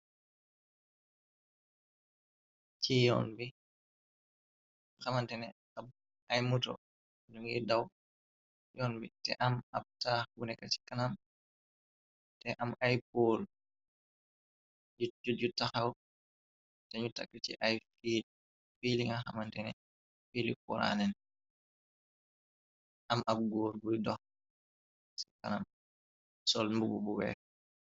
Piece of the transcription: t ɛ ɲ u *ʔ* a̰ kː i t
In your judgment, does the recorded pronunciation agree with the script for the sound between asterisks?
no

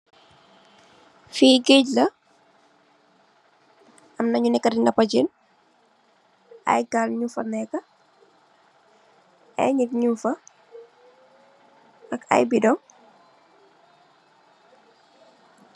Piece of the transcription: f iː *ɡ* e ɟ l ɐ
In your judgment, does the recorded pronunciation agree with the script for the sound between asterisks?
yes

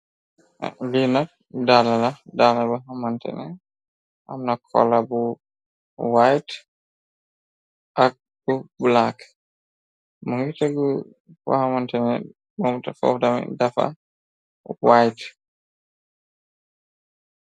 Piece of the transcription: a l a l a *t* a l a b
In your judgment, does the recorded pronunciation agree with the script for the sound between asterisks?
no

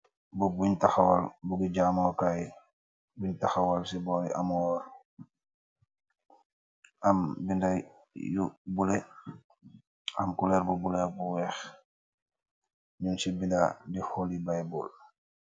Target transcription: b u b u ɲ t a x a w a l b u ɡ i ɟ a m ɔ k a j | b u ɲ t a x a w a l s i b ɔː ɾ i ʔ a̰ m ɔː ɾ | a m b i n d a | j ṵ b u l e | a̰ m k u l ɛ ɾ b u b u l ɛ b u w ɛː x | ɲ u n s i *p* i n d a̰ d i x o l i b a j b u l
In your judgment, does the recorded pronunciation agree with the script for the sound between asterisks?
no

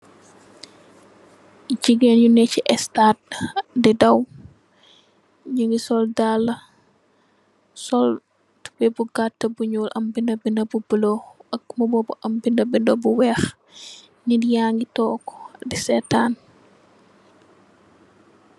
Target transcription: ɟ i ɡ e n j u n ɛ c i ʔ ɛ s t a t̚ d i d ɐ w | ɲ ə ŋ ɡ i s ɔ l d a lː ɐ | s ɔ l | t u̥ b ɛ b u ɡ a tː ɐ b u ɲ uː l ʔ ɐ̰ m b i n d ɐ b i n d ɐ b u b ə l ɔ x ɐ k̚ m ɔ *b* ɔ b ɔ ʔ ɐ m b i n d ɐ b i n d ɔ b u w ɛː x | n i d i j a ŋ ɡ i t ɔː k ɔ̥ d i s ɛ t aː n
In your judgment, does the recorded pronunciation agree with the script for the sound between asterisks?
yes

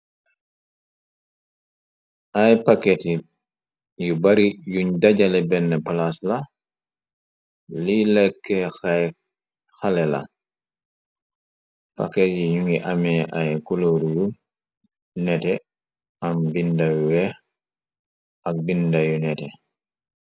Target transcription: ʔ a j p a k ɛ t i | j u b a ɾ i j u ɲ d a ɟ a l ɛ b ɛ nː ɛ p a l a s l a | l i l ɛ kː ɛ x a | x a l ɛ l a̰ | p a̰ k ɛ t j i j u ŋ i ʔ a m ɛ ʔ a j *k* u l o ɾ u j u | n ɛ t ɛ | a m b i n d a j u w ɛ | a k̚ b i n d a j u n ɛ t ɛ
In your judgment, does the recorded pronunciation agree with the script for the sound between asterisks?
yes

